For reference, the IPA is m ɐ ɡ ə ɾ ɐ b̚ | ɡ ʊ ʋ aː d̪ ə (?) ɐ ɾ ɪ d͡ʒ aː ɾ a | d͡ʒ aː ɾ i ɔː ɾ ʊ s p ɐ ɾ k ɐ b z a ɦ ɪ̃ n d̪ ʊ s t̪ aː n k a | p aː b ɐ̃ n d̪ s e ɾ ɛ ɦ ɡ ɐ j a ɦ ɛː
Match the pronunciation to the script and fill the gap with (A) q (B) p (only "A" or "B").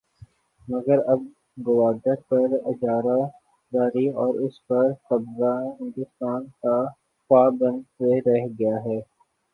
B